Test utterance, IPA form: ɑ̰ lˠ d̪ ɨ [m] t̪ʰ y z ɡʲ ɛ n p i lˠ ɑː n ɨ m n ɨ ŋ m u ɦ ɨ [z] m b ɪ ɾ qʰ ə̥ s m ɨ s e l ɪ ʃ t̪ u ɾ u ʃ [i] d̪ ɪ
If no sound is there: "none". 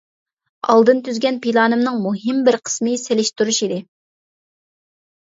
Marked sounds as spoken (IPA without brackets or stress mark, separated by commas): n, none, i